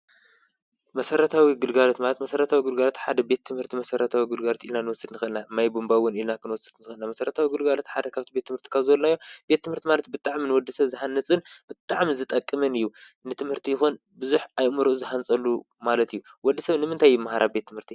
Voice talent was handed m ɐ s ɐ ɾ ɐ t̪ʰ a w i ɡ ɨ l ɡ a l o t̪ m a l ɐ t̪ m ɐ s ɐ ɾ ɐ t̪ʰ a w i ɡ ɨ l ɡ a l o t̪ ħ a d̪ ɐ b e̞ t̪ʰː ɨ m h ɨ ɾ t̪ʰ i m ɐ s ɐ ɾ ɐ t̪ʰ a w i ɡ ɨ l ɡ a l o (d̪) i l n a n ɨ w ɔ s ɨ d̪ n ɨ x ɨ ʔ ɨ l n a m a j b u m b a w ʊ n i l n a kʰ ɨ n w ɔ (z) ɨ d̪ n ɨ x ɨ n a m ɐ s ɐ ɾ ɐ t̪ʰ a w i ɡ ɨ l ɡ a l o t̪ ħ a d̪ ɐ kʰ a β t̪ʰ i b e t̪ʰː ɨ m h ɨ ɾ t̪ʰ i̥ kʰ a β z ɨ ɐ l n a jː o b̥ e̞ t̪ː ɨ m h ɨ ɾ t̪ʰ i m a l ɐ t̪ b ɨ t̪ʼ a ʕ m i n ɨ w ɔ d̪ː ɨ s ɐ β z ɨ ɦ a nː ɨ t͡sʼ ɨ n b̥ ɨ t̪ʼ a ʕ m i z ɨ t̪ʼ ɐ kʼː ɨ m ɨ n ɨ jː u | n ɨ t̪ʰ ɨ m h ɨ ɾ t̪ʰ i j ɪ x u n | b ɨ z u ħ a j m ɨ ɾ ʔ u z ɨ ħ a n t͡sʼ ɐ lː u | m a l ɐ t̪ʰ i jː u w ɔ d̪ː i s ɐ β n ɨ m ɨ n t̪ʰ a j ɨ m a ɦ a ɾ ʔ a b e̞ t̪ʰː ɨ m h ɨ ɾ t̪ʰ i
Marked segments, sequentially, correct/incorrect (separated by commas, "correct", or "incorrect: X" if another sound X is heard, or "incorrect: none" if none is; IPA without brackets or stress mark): incorrect: t̪, incorrect: s